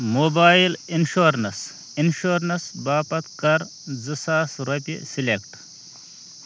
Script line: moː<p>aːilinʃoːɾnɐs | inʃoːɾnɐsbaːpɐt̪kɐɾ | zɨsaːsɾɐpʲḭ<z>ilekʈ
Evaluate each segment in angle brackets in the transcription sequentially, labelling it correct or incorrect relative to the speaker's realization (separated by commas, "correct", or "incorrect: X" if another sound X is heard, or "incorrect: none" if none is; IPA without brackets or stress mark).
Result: incorrect: b, incorrect: s